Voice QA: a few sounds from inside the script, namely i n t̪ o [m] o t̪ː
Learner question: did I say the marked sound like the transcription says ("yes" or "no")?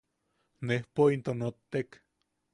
no